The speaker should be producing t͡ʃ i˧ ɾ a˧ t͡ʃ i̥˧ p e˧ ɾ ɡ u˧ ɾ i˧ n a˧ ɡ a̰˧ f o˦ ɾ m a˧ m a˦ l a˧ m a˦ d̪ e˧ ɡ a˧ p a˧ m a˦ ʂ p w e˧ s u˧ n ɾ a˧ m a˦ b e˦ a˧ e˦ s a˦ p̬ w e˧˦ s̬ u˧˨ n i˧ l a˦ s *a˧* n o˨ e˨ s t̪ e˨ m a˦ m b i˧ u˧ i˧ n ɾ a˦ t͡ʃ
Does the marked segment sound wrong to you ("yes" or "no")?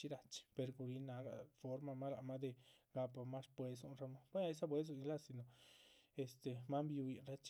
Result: yes